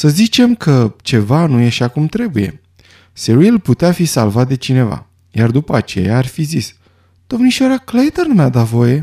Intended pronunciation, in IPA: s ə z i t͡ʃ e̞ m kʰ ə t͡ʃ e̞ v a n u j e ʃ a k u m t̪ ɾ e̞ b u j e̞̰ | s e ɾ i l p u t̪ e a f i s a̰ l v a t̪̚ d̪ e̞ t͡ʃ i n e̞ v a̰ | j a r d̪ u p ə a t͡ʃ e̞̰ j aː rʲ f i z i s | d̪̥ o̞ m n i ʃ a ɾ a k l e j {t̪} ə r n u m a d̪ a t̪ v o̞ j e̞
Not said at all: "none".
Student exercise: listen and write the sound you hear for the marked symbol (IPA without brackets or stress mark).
t̪